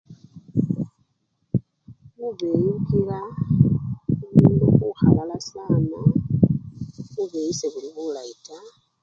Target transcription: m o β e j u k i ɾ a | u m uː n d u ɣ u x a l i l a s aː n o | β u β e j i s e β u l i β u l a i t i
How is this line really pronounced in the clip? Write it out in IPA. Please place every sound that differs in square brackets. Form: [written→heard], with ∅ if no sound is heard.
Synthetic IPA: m [o→u] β e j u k i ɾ a | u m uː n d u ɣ u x a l [i→a] l a s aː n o | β u β e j i s e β u l i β u l a i t [i→a]